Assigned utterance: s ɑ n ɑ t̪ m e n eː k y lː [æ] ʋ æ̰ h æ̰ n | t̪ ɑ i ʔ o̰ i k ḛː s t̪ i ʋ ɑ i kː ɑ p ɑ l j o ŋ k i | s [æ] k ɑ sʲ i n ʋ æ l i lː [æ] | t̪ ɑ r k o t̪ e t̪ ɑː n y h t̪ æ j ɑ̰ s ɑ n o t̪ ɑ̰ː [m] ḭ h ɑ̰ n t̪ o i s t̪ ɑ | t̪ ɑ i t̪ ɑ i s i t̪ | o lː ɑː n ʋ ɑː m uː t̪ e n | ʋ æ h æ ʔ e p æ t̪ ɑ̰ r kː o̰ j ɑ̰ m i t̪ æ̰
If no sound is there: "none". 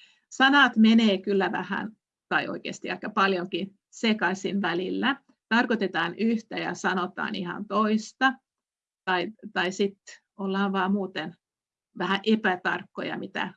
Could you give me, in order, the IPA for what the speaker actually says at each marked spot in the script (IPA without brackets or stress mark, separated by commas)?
æ, e, æ, n